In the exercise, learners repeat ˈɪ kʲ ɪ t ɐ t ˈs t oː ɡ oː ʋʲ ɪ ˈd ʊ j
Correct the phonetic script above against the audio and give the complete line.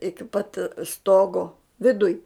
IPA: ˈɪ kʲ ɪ p ɐ t ˈs t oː ɡ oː ʋʲ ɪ ˈd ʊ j

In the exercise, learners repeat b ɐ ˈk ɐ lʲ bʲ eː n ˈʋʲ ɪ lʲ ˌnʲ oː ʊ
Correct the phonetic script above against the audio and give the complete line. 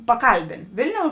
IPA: p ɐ ˈk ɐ lʲ bʲ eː n ˈʋʲ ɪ lʲ ˌnʲ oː ʊ

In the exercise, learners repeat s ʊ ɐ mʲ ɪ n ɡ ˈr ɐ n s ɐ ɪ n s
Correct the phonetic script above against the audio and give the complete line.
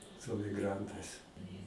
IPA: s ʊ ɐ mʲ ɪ ɡ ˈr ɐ n t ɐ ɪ s

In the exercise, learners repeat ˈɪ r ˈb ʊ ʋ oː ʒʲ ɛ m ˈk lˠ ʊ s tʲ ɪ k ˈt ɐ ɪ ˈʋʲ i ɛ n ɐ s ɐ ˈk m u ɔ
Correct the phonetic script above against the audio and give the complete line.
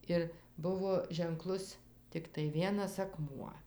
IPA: ˈɪ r ˈb ʊ ʋ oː ʒʲ ɛ ŋ ˈk lˠ ʊ s tʲ ɪ k ˈt ɐ ɪ ˈʋʲ i ɛ n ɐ s ɐ ˈk m u ɔ

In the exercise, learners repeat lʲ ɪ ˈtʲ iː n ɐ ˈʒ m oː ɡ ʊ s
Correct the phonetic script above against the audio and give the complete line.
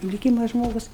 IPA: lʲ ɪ ˈkʲ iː m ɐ ˈʒ m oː ɡ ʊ s

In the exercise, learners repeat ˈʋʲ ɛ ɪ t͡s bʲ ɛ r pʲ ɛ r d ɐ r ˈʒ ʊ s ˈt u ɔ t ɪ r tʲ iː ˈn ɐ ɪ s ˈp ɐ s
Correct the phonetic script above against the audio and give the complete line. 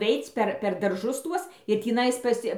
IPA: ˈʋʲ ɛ ɪ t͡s pʲ ɛ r pʲ ɛ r d ɐ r ˈʒ ʊ s ˈt u ɔ s ɪ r tʲ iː ˈn ɐ ɪ s ˈp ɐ s

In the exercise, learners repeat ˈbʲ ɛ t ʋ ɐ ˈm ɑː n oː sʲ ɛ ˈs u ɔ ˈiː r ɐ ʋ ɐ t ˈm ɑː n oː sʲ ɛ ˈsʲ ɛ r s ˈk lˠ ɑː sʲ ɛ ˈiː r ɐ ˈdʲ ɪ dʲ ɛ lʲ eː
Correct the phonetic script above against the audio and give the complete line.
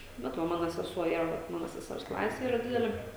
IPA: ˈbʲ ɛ t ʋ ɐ ˈm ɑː n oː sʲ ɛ ˈs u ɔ ˈiː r ɐ ʋ ɐ t ˈm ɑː n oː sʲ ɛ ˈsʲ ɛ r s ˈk lˠ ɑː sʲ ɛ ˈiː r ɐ ˈdʲ ɪ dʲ ɛ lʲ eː

